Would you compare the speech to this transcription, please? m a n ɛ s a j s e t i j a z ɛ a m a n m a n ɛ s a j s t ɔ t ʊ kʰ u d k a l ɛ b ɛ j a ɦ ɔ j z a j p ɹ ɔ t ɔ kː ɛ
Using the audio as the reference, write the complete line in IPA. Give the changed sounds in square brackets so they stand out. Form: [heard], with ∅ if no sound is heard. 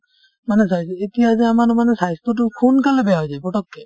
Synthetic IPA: m a n ɛ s a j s e t i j a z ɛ a m a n m a n ɛ s a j s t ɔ t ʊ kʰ u [n] k a l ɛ b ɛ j a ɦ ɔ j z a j p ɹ ɔ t ɔ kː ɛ